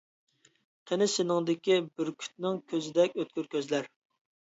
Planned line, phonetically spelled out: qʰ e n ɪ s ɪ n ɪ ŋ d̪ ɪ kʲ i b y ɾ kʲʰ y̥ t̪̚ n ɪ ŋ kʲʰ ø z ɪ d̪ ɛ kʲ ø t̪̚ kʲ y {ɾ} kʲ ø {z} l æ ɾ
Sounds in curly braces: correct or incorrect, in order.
correct, correct

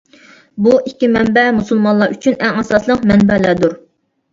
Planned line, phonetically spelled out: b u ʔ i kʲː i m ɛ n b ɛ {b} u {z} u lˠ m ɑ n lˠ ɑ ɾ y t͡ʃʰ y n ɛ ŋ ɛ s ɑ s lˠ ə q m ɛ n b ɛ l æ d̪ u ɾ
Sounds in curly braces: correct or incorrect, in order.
incorrect: m, incorrect: s

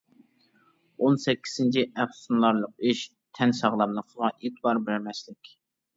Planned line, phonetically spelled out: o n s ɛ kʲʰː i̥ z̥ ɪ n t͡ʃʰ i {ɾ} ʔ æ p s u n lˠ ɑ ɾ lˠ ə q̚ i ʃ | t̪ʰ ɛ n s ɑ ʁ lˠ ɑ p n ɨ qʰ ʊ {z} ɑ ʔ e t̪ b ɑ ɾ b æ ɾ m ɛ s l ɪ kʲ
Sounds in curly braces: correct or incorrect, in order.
incorrect: none, incorrect: ʁ

